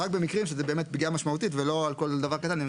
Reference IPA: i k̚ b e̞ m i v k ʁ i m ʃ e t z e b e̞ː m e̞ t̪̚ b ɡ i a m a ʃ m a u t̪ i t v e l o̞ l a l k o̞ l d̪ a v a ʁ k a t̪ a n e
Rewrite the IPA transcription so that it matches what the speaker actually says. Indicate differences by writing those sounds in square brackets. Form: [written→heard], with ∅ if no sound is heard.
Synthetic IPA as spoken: [i→a] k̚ b e̞ m i [v→∅] k ʁ i m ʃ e [t→∅] z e b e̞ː m e̞ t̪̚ b ɡ i a m a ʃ m a u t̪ i t v e l o̞ [l→∅] a l k o̞ l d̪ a v a ʁ k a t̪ a n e

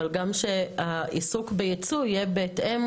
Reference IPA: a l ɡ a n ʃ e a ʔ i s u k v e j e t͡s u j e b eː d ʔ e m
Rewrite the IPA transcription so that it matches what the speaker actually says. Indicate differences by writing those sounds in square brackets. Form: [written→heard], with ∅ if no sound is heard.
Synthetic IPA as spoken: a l ɡ a [n→m] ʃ e a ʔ i s u k [v→b] e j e t͡s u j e b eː [d→t] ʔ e m

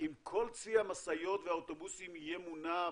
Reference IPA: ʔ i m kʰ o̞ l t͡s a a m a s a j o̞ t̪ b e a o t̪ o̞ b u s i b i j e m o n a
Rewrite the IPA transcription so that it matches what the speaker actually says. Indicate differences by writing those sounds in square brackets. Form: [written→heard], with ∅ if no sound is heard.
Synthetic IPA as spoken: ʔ i m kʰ o̞ l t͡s [a→i] a m a s a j o̞ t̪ [b→v] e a o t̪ o̞ b u s i [b→m] i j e m [o→u] n a

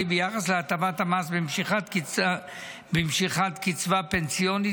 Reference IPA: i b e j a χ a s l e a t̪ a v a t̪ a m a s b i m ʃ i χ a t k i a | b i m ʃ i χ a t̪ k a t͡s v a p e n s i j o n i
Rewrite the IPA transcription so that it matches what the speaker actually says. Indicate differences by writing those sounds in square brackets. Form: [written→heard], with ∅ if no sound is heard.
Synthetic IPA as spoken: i b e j a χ a s l e a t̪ a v a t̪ a m a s b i m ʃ i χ a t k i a | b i m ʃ i χ a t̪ k [a→i] t͡s v a p e n s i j o n i

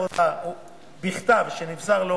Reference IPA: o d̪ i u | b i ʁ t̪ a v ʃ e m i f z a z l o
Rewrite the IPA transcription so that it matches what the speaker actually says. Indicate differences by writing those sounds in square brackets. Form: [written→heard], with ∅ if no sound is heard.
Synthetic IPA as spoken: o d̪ [i→a] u | b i [ʁ→χ] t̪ a v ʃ e [m→n] i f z a [z→ʁ] l o

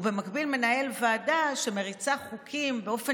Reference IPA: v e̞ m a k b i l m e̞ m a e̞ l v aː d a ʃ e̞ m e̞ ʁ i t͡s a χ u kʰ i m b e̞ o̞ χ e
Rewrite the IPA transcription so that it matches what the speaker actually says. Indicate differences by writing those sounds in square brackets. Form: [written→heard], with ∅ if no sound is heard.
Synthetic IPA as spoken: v e̞ m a k b i l m e̞ [m→n] a e̞ l v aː d a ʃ e̞ m e̞ ʁ i t͡s a χ u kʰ i m b e̞ o̞ [χ→f] e

